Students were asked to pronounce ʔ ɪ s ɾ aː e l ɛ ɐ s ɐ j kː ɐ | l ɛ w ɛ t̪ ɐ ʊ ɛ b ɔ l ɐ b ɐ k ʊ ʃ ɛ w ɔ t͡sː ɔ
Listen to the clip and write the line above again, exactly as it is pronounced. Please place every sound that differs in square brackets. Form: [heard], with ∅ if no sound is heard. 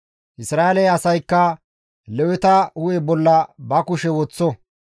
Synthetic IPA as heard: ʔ ɪ s ɾ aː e l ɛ ɐ s ɐ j kː ɐ | l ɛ w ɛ t̪ ɐ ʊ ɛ b ɔ [lː] ɐ b ɐ k ʊ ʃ ɛ w ɔ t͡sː ɔ

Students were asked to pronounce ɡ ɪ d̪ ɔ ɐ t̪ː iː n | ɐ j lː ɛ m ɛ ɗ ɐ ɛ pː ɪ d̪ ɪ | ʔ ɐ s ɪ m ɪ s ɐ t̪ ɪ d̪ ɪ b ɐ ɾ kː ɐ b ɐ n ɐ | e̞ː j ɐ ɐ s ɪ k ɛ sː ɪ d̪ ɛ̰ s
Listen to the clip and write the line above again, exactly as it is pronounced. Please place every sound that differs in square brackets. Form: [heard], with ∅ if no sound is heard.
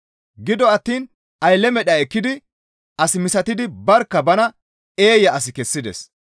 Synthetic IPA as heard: ɡ ɪ d̪ ɔ ɐ t̪ː iː n | ɐ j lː ɛ m ɛ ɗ ɐ ɛ [kː] ɪ d̪ ɪ | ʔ ɐ s ɪ m ɪ s ɐ t̪ ɪ d̪ ɪ b ɐ ɾ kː ɐ b ɐ n ɐ | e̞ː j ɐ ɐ s ɪ k ɛ sː ɪ d̪ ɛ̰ s

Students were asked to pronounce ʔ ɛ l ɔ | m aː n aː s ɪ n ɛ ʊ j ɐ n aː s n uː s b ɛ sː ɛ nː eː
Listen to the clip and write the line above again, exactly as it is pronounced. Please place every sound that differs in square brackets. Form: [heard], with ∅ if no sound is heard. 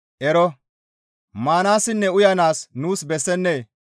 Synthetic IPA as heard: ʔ ɛ [ɾ] ɔ | m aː n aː s ɪ [nː] ɛ ʊ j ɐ n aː s n uː s b ɛ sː ɛ nː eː

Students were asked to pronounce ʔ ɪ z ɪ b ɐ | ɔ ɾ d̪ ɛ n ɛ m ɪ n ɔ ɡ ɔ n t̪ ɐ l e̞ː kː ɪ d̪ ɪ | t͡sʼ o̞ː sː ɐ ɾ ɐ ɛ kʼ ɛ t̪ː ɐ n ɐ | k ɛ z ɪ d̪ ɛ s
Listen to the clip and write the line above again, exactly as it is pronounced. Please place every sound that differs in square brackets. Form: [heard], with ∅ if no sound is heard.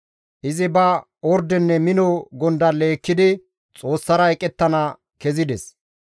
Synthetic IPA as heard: ʔ ɪ z ɪ b ɐ | ɔ ɾ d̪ ɛ [nː] ɛ m ɪ n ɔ ɡ ɔ n [d̪] ɐ l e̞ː kː ɪ d̪ ɪ | t͡sʼ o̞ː sː ɐ ɾ ɐ ɛ kʼ ɛ t̪ː ɐ n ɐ | k ɛ z ɪ d̪ ɛ s

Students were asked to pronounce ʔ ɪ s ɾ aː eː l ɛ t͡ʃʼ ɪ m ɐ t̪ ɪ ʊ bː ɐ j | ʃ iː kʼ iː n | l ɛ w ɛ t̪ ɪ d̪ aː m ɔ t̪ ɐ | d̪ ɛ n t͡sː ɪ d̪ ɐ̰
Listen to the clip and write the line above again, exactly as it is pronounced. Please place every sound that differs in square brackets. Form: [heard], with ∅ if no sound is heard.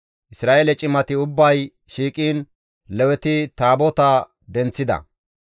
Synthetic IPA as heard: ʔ ɪ s ɾ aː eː l ɛ t͡ʃʼ ɪ m ɐ t̪ ɪ ʊ bː ɐ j | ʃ iː kʼ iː n | l ɛ w ɛ t̪ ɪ [t̪] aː [b] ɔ t̪ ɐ | d̪ ɛ n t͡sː ɪ d̪ ɐ̰

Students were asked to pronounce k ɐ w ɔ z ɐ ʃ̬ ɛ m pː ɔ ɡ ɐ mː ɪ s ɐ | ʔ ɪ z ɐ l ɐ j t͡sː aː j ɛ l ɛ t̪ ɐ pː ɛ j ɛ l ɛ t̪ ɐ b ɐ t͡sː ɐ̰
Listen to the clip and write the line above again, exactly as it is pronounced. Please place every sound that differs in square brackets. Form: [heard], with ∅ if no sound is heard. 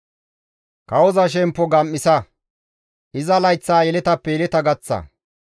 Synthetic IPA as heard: k ɐ w ɔ z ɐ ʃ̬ ɛ m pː ɔ ɡ ɐ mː ɪ s ɐ | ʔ ɪ z ɐ l ɐ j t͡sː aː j ɛ l ɛ t̪ ɐ pː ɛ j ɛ l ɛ t̪ ɐ [ɡ] ɐ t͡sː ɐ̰

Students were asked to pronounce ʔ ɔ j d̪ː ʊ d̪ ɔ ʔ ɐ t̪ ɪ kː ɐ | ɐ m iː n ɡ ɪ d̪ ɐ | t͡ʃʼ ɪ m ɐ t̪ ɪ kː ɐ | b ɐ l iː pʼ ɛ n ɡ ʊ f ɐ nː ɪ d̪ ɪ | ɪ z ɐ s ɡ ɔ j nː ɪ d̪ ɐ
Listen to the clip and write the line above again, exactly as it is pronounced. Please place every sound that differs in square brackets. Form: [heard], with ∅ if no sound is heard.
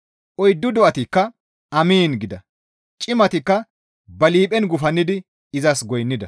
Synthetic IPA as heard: ʔ ɔ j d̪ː ʊ d̪ ɔ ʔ ɐ t̪ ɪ kː ɐ | ɐ m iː n ɡ ɪ d̪ ɐ | t͡ʃʼ ɪ m ɐ t̪ ɪ kː ɐ | b ɐ l iː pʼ ɛ n ɡ ʊ f ɐ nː ɪ d̪ ɪ | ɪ z ɐ s ɡ ɔ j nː ɪ d̪ ɐ

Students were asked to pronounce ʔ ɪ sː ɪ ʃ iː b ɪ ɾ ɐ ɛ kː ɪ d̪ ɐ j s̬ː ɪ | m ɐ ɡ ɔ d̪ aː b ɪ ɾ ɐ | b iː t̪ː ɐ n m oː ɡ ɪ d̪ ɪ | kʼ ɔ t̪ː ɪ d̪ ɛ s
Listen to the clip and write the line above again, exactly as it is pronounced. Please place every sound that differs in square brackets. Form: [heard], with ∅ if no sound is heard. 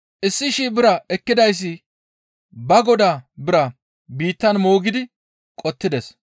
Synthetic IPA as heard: ʔ ɪ sː ɪ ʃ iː b ɪ ɾ ɐ ɛ kː ɪ d̪ ɐ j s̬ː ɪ | [b] ɐ ɡ ɔ d̪ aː b ɪ ɾ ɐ | b iː t̪ː ɐ n m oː ɡ ɪ d̪ ɪ | kʼ ɔ t̪ː ɪ d̪ ɛ s

